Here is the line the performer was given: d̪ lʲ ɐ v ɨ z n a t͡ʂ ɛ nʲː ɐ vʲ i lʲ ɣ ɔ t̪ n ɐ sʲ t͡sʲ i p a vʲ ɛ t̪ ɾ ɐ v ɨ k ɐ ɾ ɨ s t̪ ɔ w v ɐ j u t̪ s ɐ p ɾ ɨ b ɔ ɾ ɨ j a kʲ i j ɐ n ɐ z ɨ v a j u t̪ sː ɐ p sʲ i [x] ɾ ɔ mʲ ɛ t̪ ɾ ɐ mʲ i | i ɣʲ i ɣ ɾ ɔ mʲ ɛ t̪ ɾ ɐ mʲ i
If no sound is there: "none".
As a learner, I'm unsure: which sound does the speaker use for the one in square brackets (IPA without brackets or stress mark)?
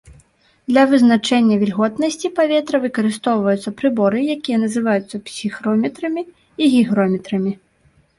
x